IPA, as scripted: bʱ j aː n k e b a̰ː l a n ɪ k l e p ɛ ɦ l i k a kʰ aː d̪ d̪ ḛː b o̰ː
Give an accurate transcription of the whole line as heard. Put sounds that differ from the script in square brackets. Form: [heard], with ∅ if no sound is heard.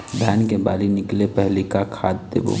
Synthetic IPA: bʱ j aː n k e b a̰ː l [i] n ɪ k l e p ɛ ɦ l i k a kʰ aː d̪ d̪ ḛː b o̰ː